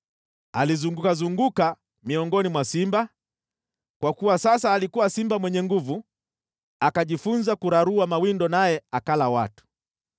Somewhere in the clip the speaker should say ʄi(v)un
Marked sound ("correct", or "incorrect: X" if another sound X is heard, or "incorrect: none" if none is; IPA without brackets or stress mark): incorrect: f